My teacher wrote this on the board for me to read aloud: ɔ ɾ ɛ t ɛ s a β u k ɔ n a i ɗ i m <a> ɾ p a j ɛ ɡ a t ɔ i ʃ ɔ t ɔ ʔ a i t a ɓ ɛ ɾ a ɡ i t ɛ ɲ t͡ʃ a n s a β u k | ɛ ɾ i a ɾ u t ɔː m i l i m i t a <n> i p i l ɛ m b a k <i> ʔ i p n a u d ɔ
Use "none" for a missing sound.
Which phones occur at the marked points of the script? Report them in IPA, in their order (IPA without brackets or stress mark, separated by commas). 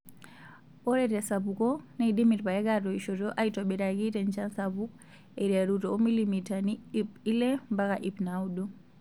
i, n, a